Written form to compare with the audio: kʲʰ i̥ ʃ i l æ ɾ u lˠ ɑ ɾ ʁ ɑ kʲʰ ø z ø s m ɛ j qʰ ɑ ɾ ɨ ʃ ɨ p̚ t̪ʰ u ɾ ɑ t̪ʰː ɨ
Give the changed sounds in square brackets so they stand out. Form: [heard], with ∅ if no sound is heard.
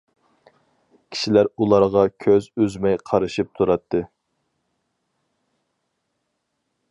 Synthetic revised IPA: kʲʰ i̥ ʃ i l æ ɾ u lˠ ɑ ɾ ʁ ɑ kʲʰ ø z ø [z] m ɛ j qʰ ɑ ɾ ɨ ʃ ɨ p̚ t̪ʰ u ɾ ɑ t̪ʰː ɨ